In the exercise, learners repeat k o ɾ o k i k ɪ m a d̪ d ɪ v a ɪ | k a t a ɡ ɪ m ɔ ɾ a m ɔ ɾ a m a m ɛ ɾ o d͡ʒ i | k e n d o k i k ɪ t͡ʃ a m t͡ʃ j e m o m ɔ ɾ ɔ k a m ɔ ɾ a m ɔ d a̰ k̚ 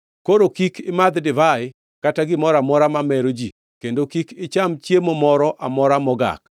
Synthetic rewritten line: k o ɾ o k i k ɪ m a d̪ d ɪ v a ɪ | k a t a ɡ ɪ m ɔ ɾ a m ɔ ɾ a m a m ɛ ɾ o d͡ʒ i | k e n d o k i k ɪ t͡ʃ a m t͡ʃ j e m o m ɔ ɾ ɔ ʔ a m ɔ ɾ a m ɔ ɡ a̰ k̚